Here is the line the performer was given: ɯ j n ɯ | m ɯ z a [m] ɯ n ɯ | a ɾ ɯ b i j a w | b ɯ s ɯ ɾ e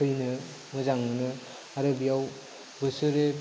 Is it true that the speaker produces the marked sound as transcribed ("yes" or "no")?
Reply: no